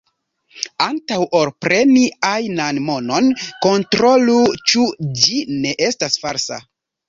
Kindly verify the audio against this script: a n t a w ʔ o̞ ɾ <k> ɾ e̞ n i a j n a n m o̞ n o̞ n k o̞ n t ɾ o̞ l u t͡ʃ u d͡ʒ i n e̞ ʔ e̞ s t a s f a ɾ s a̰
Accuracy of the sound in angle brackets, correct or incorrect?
incorrect: p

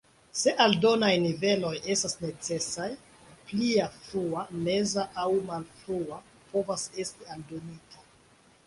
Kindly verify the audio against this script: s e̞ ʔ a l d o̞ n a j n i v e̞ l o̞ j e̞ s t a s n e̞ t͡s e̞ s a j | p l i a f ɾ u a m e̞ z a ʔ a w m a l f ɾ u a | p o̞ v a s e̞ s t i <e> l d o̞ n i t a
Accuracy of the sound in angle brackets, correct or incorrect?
incorrect: a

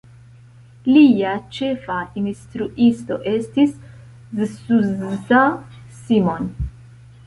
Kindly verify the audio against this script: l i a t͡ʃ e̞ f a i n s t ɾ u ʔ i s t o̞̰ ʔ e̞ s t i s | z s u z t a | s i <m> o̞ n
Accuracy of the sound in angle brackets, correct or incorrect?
correct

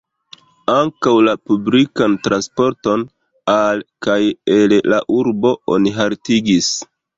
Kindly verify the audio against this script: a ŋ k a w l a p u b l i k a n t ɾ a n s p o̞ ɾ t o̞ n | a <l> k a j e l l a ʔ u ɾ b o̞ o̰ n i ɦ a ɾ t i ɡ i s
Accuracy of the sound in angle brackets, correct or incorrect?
correct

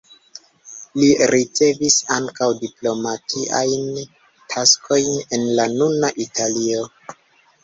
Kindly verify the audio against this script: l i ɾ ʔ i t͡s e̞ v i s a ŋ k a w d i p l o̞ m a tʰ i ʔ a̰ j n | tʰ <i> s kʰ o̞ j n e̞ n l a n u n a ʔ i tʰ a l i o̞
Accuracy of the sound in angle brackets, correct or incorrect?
incorrect: a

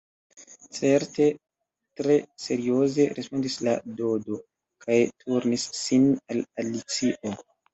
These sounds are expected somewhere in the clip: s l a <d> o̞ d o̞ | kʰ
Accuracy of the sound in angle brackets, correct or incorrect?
correct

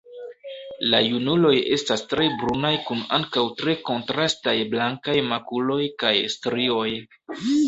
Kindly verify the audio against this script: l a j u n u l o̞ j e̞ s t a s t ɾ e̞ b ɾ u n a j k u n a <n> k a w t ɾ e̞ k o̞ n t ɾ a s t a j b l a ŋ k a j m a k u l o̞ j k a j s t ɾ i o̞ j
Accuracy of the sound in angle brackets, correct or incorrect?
incorrect: ŋ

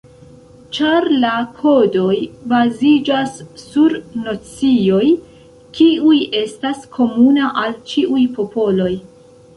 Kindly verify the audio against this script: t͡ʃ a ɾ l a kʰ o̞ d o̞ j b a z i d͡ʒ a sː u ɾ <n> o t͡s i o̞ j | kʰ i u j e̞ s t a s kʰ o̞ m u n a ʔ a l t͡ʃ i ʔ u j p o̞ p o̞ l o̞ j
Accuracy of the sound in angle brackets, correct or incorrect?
correct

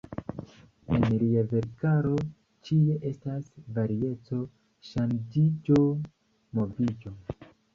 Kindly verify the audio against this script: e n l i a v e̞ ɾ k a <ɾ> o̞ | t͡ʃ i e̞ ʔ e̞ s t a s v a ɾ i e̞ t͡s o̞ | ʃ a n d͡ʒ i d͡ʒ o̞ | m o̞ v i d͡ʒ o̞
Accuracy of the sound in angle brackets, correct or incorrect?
correct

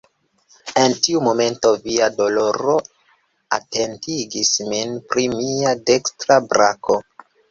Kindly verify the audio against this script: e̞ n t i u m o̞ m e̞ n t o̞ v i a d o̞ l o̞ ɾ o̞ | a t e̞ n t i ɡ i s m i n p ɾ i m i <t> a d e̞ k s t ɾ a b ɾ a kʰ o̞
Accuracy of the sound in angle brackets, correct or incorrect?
incorrect: none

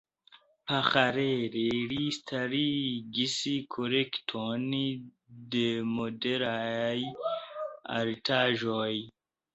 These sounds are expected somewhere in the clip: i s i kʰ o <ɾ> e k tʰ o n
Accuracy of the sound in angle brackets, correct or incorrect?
correct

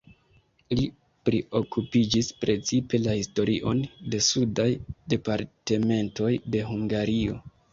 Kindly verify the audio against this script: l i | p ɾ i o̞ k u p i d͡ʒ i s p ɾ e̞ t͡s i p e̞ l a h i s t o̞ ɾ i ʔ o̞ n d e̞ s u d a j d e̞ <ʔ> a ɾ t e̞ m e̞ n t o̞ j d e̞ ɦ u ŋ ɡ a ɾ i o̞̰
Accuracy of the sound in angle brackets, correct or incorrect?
incorrect: p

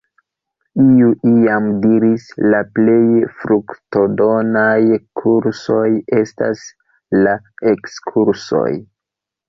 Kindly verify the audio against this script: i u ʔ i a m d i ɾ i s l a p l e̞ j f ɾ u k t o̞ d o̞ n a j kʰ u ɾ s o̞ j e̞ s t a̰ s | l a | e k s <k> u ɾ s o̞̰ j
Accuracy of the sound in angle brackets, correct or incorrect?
incorrect: kʰ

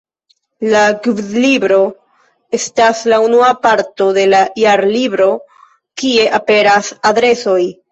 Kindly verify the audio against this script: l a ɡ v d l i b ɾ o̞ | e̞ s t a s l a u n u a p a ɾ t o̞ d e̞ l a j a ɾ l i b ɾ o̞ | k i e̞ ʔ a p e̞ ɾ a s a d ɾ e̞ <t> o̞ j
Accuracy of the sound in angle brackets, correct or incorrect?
incorrect: s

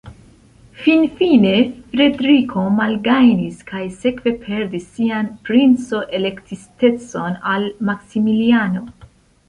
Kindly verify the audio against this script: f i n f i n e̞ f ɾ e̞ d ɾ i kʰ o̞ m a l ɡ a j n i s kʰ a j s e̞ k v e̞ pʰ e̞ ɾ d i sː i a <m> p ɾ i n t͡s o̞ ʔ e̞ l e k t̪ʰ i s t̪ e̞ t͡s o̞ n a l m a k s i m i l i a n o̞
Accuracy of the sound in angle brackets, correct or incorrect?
incorrect: n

